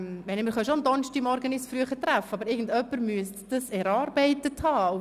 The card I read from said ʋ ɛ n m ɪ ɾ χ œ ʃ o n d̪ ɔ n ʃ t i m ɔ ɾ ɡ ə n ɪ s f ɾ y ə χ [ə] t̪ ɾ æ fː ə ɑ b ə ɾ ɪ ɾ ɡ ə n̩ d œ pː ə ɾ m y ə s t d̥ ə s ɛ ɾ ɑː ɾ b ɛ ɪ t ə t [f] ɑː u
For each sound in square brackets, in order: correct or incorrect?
correct, incorrect: h

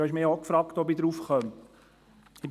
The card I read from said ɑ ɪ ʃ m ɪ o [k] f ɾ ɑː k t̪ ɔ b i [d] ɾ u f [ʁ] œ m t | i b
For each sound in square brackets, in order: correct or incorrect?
correct, correct, incorrect: χ

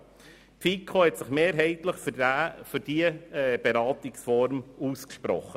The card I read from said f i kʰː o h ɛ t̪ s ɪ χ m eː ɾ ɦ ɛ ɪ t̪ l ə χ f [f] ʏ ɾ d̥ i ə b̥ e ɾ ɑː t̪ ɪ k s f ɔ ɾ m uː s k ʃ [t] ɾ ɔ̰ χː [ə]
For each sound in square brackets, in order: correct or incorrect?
correct, incorrect: p, correct

